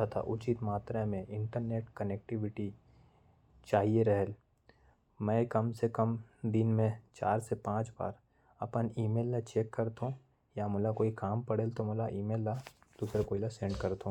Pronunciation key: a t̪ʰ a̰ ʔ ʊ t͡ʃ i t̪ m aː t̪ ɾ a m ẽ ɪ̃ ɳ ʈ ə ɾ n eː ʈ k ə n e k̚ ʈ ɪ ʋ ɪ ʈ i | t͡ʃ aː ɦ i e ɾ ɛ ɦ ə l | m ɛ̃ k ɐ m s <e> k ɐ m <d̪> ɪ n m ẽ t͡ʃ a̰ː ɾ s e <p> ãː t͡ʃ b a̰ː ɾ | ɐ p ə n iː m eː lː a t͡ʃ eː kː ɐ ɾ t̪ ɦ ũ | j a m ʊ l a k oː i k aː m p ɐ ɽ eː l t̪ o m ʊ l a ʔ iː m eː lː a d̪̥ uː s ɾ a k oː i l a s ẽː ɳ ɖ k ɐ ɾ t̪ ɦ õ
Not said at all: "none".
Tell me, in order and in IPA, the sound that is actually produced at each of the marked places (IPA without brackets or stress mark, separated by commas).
e, d̪, p